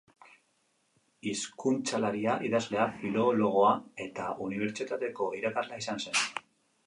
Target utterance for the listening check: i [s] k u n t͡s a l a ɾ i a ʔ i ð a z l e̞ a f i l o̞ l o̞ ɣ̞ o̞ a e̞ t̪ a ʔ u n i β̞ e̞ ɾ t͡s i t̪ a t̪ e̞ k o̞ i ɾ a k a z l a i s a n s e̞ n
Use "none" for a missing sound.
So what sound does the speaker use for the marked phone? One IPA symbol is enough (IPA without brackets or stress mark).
s